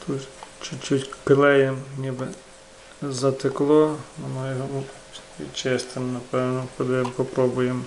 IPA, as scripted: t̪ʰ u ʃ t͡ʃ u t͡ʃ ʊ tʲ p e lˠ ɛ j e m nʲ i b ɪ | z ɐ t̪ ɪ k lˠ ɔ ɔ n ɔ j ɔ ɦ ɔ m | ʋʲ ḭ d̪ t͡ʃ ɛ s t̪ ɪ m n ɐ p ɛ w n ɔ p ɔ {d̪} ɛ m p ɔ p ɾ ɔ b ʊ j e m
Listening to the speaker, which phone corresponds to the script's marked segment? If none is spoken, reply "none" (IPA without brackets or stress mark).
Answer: d̪